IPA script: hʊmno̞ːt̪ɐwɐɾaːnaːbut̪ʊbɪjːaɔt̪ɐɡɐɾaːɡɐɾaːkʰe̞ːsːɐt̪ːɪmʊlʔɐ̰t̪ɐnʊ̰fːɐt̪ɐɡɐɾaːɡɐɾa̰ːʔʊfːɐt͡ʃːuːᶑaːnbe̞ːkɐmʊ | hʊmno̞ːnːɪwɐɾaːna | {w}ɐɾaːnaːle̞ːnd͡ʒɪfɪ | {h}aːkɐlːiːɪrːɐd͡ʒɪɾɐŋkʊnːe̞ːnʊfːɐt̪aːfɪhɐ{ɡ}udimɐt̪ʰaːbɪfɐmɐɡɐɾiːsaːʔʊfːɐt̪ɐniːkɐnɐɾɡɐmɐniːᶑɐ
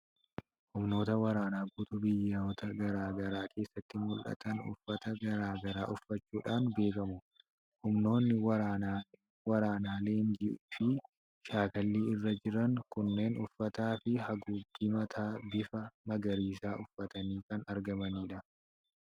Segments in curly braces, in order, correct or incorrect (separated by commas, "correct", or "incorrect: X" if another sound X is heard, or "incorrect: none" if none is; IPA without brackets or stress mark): correct, incorrect: ʃ, correct